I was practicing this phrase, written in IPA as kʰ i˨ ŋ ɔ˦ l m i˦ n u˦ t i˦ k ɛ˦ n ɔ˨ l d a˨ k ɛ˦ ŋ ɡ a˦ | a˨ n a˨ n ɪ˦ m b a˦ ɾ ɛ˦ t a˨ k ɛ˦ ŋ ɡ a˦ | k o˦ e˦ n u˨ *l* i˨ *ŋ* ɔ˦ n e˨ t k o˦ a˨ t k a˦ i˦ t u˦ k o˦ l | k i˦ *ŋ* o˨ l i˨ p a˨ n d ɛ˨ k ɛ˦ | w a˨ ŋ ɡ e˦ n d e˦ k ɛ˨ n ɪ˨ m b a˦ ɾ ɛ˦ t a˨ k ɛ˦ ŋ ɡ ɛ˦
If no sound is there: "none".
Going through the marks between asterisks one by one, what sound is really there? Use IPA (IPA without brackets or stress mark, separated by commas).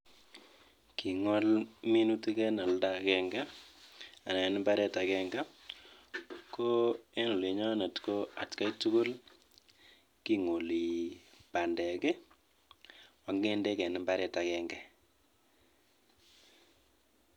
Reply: l, ɲ, ŋ